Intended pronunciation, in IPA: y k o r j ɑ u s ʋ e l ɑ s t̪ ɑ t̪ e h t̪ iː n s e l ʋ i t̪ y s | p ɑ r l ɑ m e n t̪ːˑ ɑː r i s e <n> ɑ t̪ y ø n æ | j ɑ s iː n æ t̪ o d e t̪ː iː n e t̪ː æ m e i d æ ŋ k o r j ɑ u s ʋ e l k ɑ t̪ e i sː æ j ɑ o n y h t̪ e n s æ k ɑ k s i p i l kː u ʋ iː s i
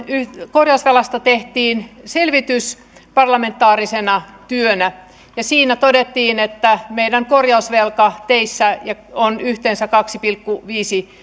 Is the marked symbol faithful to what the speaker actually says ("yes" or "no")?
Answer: yes